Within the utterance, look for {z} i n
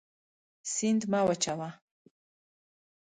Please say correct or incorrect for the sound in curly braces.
incorrect